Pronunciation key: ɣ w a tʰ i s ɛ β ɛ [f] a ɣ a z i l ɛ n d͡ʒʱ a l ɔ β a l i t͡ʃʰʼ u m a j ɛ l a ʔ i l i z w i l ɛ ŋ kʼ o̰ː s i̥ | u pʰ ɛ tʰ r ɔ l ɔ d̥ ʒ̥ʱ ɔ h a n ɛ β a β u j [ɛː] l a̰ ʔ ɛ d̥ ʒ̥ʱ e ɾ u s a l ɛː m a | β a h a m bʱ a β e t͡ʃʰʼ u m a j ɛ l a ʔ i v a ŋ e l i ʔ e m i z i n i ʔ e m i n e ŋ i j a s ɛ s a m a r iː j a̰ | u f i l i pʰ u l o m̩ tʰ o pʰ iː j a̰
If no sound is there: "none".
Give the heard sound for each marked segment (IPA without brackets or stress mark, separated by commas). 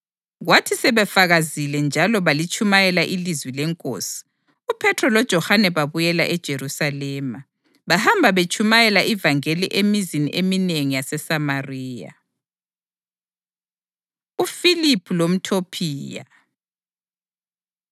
f, ɛ